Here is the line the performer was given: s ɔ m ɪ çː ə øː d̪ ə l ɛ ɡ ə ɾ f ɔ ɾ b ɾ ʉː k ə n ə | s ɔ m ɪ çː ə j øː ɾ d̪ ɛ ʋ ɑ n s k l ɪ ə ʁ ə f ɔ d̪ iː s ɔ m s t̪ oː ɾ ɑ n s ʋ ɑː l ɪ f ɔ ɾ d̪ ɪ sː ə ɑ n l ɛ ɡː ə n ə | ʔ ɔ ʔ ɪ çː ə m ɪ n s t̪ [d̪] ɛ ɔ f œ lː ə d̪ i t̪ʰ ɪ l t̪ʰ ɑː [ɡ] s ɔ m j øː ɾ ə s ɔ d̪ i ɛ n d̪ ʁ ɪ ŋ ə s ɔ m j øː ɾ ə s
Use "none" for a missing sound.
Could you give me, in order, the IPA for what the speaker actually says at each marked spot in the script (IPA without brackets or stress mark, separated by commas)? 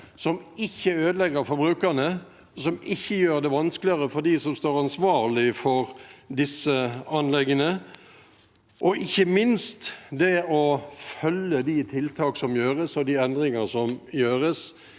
d̪, k